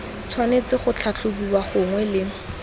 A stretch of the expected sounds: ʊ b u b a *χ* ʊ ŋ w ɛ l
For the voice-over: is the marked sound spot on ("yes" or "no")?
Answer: yes